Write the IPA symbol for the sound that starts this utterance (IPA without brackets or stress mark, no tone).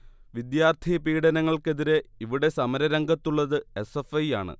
ʋ